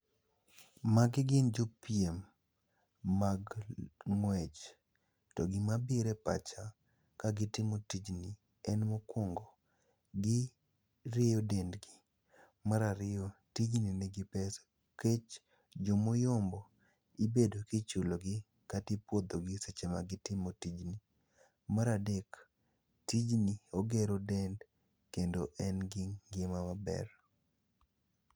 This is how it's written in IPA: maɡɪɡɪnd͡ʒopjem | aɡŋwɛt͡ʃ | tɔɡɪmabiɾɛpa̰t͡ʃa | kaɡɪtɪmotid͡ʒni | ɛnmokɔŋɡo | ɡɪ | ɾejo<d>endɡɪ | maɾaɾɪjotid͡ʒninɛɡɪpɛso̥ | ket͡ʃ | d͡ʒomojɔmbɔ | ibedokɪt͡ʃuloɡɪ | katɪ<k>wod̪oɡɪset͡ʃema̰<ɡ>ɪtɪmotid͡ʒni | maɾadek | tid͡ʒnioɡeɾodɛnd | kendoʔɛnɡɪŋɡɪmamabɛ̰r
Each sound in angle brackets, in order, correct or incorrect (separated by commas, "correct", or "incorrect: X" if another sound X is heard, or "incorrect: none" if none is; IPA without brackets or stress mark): correct, incorrect: p, correct